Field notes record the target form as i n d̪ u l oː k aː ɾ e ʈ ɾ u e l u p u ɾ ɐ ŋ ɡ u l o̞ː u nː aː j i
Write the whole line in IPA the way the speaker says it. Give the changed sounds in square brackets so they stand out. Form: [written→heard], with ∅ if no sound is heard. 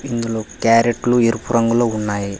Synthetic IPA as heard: i n d̪ u l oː k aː ɾ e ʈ [ɾ→l] u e [l→ɾ] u p u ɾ ɐ ŋ ɡ u l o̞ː u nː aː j i